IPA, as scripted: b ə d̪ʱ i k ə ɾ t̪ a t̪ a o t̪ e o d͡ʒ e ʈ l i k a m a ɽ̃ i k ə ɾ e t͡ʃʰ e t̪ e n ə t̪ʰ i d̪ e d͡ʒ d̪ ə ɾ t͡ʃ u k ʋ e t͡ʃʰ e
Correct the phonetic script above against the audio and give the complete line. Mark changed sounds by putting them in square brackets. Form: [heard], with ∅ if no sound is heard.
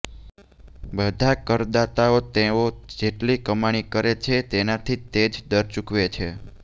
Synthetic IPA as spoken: b ə d̪ʱ [a] k ə ɾ [d̪] a t̪ a o t̪ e o d͡ʒ e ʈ l i k [ə] m a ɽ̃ i k ə ɾ e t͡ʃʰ e t̪ e n [a] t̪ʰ i [t̪] e d͡ʒ d̪ ə ɾ t͡ʃ u k ʋ e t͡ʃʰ e